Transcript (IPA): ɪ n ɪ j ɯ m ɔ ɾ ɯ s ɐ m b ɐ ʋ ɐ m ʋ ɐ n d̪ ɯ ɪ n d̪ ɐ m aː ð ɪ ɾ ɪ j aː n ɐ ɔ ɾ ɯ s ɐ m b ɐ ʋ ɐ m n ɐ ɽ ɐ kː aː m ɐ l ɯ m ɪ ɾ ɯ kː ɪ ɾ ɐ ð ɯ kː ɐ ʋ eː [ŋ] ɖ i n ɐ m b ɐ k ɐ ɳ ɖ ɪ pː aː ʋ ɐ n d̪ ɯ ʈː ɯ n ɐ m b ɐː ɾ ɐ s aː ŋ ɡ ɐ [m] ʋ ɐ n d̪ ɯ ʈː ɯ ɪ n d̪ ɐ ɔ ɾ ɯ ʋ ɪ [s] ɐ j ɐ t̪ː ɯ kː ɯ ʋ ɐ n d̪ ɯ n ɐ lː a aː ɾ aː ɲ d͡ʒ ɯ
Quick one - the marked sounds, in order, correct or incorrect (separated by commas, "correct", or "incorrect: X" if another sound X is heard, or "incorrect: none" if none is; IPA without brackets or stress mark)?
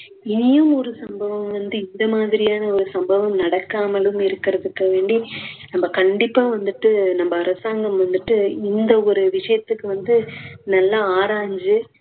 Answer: incorrect: ɳ, correct, incorrect: ʂ